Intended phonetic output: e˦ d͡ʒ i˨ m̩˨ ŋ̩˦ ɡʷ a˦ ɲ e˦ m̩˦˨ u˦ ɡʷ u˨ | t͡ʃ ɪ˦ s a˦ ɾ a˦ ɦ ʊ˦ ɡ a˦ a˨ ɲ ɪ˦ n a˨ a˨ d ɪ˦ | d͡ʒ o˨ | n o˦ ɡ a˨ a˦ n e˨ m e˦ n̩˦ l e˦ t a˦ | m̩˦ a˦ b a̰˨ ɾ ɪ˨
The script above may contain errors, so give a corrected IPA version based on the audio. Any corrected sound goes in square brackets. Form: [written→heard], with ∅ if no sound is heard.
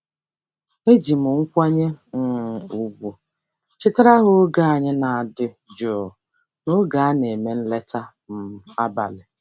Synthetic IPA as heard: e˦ d͡ʒ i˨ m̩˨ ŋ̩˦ [ɡʷ→kʷ] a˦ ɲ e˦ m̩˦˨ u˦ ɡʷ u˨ | t͡ʃ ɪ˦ [s→t] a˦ ɾ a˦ ɦ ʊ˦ ɡ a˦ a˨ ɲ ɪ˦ n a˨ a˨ d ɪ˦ | d͡ʒ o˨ | n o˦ ɡ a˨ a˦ n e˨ m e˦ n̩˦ l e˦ t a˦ | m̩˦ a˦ b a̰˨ [ɾ→l] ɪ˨